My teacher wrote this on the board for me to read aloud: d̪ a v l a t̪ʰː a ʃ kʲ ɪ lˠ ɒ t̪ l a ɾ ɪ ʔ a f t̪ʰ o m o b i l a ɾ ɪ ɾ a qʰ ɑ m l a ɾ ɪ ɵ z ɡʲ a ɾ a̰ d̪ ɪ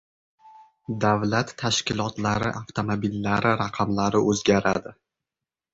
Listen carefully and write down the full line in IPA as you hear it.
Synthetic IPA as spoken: d̪ a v l a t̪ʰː a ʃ kʲ ɪ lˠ ɒ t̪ l a ɾ ɪ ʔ a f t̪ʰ o m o b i lː a ɾ ɪ ɾ a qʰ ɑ m l a ɾ ɪ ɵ z ɡʲ a ɾ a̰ d̪ ɪ